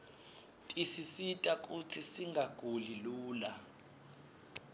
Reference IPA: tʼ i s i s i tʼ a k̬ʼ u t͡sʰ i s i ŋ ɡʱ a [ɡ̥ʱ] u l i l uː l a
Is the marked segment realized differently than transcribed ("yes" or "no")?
no